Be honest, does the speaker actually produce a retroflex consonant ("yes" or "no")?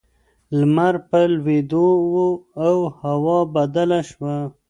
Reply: no